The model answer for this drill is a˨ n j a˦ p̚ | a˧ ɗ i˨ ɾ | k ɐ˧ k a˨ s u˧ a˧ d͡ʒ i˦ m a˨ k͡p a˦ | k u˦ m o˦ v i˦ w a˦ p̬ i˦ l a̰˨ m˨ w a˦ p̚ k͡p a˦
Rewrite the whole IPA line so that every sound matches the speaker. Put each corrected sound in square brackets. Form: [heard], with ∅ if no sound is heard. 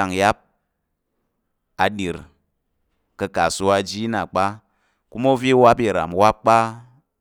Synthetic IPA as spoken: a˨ [ŋ] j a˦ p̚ | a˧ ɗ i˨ ɾ | k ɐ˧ k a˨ s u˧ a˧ d͡ʒ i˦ [n] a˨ k͡p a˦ | k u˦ m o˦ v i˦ w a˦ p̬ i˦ [ɾ] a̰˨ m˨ w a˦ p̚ k͡p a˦